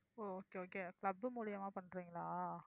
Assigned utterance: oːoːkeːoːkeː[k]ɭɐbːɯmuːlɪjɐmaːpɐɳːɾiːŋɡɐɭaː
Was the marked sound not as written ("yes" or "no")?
no